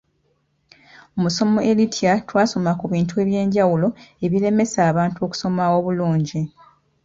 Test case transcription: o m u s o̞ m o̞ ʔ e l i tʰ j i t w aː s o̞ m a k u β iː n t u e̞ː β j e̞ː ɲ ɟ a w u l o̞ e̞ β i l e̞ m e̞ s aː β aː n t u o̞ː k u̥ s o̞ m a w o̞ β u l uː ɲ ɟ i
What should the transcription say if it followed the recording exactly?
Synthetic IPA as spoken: o m u s o̞ m o̞ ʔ e l i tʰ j a t w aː s o̞ m a k u β iː n t u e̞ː β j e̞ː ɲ ɟ a w u l o̞ e̞ β i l e̞ m e̞ s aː β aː n t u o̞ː k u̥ s o̞ m a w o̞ β u l uː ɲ ɟ i